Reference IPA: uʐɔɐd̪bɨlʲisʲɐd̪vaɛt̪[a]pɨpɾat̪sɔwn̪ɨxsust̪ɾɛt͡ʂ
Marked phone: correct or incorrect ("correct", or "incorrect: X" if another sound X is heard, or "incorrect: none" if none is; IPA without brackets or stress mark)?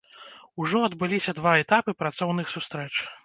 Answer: correct